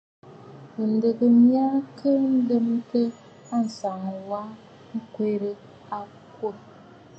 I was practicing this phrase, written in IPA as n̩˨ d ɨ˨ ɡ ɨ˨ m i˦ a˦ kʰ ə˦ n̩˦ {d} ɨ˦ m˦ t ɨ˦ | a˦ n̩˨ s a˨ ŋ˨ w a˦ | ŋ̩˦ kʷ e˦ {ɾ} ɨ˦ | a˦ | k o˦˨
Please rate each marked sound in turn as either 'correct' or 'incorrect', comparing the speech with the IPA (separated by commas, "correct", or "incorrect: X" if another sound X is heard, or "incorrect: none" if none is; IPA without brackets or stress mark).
correct, correct